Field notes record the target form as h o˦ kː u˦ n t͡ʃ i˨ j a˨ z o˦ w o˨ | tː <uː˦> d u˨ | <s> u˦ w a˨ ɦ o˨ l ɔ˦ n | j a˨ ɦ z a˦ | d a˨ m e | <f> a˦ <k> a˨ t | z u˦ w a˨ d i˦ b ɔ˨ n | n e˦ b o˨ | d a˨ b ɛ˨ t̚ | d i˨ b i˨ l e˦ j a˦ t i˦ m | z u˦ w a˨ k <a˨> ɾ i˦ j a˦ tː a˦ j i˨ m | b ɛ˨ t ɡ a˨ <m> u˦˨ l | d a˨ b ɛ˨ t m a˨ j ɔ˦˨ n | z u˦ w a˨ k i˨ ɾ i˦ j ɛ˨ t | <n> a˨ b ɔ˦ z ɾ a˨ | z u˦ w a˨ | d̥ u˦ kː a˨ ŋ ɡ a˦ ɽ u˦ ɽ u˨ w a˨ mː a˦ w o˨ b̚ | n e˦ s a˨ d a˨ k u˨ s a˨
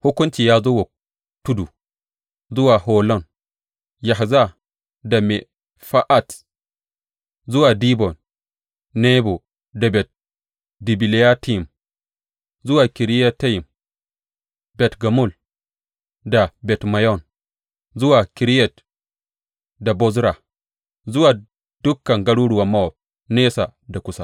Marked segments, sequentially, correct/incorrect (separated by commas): incorrect, incorrect, correct, incorrect, incorrect, correct, incorrect